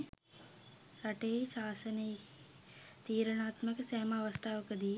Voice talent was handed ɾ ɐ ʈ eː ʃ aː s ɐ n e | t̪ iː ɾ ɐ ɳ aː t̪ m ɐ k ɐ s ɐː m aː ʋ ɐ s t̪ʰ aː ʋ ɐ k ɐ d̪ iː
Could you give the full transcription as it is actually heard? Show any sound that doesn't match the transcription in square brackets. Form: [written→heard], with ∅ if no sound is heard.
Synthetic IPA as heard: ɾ ɐ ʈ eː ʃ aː s ɐ n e | t̪ iː ɾ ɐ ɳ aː t̪ m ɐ k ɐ s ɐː m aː ʋ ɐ s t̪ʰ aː ʋ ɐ k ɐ d̪ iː